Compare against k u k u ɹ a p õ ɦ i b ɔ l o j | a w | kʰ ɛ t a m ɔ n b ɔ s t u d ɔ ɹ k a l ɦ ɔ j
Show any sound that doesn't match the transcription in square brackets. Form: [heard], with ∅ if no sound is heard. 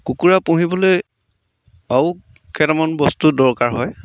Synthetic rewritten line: k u k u ɹ a p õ ɦ i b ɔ l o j | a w | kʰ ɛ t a m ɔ n b ɔ s t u d ɔ ɹ k a [ɹ] ɦ ɔ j